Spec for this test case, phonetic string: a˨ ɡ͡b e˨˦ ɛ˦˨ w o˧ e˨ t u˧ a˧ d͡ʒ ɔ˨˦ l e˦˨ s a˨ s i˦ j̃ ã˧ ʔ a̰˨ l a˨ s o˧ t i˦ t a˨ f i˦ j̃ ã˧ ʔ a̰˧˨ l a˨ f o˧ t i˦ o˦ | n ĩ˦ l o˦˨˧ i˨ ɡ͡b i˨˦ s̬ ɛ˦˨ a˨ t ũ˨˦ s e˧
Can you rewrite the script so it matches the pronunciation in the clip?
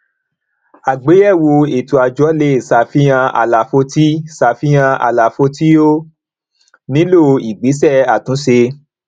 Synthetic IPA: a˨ ɡ͡b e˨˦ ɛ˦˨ w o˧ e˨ t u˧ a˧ d͡ʒ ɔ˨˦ l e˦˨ s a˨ f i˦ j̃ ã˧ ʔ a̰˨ l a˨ f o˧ t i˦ s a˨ f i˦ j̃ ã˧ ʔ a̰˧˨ l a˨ f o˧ t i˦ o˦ | n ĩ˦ l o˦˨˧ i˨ ɡ͡b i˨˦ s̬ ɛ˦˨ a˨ t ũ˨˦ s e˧

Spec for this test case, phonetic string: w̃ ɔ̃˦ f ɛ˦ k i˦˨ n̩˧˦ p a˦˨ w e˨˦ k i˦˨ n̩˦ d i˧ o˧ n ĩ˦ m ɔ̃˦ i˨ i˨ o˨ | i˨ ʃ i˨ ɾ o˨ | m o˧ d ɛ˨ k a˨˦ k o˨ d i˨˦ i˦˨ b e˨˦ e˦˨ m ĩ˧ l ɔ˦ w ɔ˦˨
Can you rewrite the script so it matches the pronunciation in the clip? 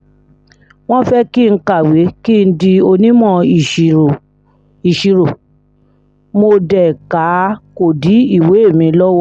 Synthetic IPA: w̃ ɔ̃˦ f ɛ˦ k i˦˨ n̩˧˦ k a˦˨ w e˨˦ k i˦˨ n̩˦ d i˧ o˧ n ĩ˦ m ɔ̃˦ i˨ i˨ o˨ | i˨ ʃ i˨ ɾ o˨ | m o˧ d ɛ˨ k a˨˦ k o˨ d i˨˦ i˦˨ w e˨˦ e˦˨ m ĩ˧ l ɔ˦ w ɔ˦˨

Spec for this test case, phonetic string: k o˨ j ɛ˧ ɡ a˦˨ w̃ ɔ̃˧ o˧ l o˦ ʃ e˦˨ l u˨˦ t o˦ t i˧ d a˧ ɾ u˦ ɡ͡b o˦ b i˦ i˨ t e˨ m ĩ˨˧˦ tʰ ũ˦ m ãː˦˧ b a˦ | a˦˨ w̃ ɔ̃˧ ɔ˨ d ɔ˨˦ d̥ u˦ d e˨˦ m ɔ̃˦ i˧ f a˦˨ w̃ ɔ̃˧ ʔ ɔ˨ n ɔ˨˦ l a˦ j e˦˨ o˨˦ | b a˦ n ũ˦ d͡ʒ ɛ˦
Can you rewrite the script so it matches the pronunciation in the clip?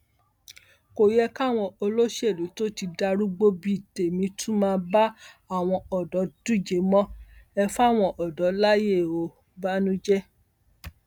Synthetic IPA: k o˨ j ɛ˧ k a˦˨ w̃ ɔ̃˧ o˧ l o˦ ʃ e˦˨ l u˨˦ t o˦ t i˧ d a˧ ɾ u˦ ɡ͡b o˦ b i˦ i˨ t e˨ m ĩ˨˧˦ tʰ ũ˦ m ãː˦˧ b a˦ | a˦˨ w̃ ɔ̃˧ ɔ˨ d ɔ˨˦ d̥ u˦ d͡ʒ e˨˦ m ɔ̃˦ ɛ˧ f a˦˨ w̃ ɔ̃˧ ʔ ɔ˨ d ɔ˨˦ l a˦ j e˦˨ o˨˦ | b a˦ n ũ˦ d͡ʒ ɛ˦

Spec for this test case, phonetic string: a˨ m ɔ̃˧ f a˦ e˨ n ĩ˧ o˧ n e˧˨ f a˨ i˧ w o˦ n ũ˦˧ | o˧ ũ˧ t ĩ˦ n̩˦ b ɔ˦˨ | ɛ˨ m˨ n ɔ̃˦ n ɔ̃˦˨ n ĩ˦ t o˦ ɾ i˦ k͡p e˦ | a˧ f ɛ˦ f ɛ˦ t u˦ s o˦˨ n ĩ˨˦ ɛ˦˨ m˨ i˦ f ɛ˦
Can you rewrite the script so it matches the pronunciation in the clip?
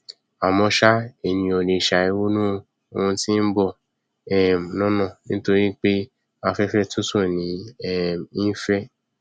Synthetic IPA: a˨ m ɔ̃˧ ʃ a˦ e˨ n ĩ˧ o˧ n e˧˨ ʃ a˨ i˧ w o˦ n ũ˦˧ | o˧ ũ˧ t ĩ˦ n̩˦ b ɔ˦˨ | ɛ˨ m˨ n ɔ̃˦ n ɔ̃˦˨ n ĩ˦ t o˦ ɾ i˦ k͡p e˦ | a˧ f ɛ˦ f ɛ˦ t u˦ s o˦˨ n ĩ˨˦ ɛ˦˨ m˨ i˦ f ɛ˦

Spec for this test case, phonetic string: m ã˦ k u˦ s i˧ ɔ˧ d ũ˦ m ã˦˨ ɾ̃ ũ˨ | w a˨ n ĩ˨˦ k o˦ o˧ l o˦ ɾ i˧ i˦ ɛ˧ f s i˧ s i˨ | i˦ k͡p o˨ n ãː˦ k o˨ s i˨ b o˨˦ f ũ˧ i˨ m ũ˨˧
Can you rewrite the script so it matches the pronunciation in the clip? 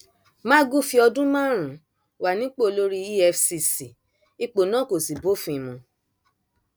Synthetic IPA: m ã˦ ɡ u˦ f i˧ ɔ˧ d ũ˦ m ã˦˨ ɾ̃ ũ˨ | w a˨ n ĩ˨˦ k͡p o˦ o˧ l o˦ ɾ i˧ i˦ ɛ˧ f s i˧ s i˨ | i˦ k͡p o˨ n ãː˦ k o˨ s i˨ b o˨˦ f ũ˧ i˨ m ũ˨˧

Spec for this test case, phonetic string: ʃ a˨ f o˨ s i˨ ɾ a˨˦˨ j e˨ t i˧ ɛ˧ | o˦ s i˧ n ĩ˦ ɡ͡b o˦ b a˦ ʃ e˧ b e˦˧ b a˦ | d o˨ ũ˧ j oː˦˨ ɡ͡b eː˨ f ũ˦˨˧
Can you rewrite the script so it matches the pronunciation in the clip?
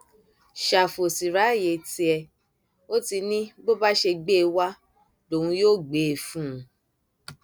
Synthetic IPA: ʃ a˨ f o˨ s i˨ ɾ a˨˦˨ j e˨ t i˧ ɛ˧ | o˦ t i˧ n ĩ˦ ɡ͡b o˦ b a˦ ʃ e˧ ɡ͡b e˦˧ w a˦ | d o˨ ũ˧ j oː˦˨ ɡ͡b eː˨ f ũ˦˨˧

